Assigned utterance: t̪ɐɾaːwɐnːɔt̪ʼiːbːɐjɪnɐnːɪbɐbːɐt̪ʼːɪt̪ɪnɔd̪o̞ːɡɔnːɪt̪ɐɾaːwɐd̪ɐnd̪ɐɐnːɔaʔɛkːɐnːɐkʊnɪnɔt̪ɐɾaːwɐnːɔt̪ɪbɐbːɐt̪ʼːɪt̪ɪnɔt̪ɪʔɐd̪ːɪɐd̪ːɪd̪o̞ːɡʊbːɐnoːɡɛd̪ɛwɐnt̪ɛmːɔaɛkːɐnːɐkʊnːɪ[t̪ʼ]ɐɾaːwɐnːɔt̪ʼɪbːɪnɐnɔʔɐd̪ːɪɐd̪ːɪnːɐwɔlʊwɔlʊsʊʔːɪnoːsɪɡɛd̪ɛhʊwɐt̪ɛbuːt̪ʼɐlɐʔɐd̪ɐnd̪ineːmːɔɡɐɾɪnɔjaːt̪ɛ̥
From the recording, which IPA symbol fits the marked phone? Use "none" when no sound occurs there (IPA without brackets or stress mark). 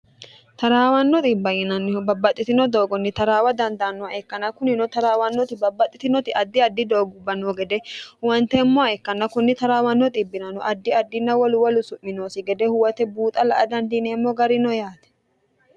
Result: t̪